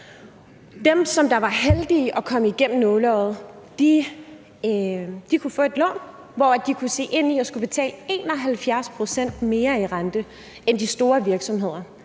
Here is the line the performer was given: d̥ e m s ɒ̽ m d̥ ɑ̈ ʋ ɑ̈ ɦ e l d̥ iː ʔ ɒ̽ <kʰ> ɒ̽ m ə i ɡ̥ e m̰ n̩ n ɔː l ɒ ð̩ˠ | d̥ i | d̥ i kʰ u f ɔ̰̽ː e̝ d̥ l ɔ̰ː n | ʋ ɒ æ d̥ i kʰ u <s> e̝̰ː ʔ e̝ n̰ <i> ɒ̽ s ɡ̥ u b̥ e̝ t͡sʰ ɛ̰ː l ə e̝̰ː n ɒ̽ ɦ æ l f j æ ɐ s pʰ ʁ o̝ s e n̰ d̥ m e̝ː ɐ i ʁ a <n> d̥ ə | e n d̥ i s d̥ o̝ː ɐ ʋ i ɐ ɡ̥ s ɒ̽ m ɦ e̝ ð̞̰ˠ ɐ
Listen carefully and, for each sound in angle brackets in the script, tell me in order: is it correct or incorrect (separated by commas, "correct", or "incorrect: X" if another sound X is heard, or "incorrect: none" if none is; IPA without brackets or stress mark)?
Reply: correct, correct, correct, correct